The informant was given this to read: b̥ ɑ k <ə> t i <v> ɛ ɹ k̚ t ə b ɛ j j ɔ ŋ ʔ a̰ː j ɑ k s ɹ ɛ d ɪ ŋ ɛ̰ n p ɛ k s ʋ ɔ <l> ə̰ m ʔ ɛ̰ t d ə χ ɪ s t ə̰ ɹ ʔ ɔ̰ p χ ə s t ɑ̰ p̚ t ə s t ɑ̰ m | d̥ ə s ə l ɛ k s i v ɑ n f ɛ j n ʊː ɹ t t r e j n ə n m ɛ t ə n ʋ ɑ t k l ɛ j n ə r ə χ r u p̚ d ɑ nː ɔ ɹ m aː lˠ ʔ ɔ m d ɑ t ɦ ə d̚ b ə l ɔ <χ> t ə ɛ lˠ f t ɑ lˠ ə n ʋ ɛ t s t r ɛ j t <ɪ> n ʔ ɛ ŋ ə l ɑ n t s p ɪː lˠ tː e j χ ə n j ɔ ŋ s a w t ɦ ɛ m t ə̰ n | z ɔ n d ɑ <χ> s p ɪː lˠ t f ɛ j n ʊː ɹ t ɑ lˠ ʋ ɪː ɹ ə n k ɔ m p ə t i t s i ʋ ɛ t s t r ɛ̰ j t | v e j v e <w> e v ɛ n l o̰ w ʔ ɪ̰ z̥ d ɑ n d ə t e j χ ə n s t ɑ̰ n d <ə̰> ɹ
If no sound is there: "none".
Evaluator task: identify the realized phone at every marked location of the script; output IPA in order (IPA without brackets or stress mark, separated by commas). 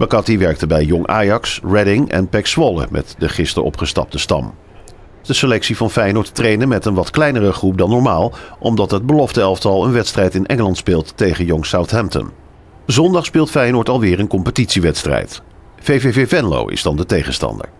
ɑ, ʋ, l, f, ɪ, χ, v, ə̰